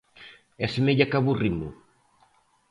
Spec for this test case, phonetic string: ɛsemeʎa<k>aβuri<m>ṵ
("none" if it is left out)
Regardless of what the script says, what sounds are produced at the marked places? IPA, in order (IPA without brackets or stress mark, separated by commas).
k, m